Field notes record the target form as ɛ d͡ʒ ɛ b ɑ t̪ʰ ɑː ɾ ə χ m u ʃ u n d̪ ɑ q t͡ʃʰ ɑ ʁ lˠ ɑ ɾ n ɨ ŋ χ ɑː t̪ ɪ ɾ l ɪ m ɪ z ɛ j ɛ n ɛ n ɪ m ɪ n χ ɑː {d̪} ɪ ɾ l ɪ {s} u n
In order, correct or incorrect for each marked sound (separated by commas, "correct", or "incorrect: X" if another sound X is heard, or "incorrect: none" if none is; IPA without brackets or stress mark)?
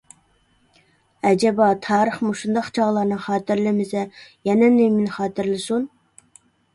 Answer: incorrect: t̪, correct